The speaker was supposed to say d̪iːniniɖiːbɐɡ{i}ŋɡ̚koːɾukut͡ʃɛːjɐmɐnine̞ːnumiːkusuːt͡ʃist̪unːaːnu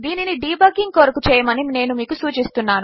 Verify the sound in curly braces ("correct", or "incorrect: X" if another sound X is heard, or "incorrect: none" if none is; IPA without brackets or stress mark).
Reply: correct